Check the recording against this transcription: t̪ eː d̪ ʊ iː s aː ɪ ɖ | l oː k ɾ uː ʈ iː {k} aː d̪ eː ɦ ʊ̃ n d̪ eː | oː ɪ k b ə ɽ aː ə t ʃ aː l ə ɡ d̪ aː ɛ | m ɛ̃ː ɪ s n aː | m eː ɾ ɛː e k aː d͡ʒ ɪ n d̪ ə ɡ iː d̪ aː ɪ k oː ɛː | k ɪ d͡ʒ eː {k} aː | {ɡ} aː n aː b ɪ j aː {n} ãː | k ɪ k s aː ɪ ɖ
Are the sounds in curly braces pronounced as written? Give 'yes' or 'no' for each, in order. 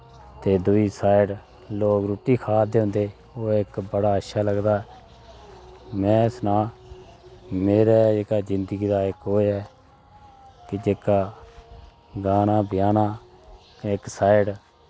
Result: no, yes, yes, yes

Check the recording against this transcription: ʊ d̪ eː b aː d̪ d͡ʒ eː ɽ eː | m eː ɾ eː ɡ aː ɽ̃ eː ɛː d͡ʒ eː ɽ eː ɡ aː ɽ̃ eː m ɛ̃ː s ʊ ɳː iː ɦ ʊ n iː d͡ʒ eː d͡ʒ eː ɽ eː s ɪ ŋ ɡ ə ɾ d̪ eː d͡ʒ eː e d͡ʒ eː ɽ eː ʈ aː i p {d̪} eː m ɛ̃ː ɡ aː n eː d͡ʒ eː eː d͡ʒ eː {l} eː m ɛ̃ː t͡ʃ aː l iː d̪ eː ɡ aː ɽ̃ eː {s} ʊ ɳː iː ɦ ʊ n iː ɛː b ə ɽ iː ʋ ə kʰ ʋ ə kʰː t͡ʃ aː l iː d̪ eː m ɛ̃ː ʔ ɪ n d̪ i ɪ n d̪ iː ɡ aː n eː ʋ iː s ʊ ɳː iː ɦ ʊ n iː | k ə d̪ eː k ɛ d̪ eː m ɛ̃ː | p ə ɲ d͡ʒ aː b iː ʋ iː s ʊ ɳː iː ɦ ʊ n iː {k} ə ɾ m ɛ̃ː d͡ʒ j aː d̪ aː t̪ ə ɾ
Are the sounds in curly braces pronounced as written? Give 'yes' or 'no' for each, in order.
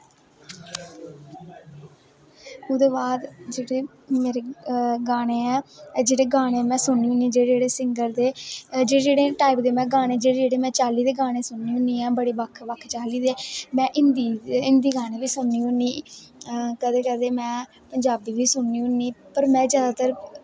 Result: yes, no, yes, no

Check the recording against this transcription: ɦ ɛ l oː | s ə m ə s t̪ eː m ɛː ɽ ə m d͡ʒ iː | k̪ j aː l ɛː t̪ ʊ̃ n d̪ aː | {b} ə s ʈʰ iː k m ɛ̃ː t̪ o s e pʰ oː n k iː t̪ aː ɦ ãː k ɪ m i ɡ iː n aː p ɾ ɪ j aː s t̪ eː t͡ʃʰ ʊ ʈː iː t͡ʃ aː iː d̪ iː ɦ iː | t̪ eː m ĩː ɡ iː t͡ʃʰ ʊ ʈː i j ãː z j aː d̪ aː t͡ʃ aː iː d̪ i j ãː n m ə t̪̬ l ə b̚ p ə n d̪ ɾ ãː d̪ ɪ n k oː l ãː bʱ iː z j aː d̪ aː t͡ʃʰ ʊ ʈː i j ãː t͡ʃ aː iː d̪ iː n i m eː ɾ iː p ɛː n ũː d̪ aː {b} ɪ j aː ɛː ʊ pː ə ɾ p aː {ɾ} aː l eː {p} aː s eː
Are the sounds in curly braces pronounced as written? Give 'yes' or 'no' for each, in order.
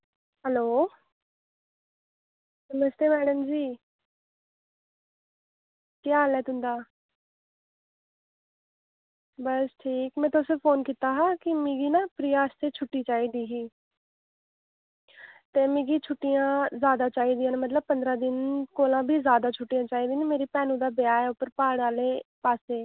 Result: yes, yes, no, yes

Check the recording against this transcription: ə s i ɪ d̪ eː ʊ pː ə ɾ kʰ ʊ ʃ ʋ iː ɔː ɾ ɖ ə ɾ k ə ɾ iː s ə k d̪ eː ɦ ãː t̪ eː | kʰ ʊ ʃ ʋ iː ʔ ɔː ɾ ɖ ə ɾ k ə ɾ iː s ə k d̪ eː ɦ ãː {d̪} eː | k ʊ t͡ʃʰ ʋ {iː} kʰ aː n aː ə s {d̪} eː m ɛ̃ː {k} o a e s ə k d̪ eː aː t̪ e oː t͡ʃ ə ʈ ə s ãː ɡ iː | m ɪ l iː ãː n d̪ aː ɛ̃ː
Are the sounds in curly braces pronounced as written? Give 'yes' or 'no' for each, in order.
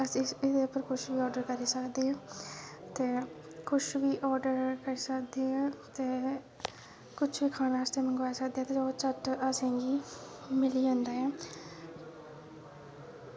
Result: no, yes, no, no

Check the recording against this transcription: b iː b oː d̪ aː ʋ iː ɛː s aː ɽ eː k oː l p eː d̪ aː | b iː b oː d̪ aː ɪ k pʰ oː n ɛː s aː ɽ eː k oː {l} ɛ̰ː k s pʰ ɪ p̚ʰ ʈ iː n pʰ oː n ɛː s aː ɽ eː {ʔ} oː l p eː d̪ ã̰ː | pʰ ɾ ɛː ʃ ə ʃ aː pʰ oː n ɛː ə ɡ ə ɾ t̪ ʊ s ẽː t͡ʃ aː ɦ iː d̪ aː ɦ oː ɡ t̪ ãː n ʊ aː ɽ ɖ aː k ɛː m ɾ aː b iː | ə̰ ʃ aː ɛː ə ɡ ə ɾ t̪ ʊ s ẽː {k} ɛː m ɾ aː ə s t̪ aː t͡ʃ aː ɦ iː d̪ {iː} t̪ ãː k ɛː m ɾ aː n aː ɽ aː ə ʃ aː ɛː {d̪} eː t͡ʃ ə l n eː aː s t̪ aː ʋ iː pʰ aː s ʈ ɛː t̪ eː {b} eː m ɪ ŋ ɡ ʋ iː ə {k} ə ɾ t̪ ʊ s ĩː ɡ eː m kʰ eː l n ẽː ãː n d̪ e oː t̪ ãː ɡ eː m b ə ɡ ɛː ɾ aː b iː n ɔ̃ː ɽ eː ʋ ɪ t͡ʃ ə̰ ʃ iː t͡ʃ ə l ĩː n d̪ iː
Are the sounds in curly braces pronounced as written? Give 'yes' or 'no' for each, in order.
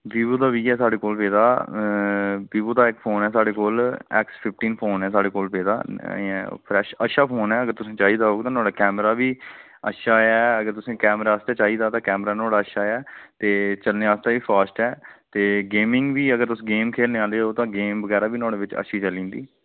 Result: yes, no, yes, no, no, no, no

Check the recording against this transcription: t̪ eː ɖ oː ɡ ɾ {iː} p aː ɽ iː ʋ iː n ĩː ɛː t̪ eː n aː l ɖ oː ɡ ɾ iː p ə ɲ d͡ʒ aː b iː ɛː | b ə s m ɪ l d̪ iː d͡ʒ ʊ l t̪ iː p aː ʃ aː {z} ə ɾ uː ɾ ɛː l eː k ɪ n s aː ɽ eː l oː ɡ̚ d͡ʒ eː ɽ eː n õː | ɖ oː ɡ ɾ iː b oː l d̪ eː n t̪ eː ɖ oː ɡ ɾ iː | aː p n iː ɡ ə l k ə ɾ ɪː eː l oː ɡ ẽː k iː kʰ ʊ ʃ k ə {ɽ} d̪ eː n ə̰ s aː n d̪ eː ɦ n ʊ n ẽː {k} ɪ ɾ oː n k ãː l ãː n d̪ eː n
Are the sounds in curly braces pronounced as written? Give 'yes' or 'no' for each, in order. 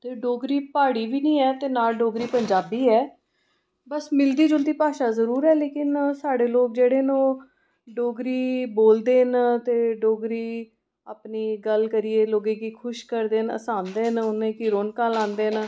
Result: yes, yes, no, yes

